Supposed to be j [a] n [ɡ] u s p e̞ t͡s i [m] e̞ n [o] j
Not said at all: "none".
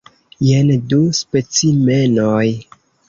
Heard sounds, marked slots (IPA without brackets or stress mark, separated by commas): e, d, m, o